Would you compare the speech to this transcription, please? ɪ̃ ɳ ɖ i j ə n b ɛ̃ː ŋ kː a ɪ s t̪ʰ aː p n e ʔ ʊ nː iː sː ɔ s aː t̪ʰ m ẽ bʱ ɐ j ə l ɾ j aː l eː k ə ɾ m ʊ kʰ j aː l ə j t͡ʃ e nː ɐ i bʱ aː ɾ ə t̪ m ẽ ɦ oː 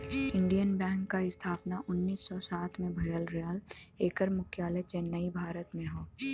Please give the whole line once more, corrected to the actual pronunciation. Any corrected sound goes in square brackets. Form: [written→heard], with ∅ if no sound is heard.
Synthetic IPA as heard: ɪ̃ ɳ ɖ i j ə n b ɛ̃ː ŋ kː a ɪ s t̪ʰ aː p n [e→a] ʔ ʊ nː iː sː ɔ s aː t̪ʰ m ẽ bʱ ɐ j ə l ɾ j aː l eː k ə ɾ m ʊ kʰ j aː l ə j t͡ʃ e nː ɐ i bʱ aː ɾ ə t̪ m ẽ ɦ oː